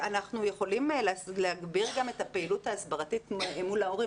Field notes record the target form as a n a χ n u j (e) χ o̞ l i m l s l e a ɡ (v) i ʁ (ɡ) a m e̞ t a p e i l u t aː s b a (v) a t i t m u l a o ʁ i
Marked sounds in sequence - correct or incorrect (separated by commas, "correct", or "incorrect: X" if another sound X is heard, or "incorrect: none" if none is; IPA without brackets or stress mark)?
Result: correct, incorrect: b, correct, incorrect: ʁ